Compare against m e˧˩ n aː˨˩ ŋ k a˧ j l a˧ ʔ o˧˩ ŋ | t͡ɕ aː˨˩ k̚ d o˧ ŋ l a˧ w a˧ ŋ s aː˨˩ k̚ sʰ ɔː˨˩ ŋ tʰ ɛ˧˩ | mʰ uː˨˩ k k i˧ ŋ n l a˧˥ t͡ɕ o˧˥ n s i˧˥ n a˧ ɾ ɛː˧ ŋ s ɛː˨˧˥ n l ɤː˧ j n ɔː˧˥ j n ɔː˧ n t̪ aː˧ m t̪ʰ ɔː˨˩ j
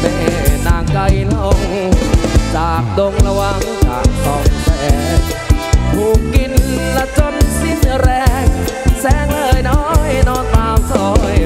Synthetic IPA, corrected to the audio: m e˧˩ n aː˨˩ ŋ k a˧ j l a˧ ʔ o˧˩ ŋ | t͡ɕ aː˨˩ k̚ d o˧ ŋ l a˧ w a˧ ŋ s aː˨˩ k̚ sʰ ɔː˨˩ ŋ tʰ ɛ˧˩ | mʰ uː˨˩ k k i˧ n l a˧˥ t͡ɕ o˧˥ n s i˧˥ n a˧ ɾ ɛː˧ ŋ s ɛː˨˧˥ ŋ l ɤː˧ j n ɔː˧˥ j n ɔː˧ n t̪ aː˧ m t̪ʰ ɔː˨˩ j